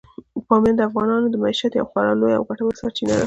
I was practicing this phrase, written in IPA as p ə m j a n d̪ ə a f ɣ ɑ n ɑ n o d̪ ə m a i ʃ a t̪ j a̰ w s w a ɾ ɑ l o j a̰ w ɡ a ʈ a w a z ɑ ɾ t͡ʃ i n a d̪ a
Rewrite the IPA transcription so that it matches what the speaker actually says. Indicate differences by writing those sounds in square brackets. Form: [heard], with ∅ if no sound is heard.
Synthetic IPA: p [ɑ] m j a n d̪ ə a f ɣ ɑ n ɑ n o d̪ ə m a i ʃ a t̪ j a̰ w [x] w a ɾ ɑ l o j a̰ w ɡ a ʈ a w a [s] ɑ ɾ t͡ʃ i n a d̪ a